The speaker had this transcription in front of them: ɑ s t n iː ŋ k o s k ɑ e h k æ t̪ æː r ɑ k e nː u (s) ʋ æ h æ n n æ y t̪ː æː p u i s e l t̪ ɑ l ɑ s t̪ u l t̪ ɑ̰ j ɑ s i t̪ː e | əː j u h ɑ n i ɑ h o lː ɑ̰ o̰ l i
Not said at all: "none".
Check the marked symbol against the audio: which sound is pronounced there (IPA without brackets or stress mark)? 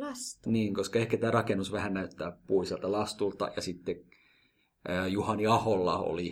s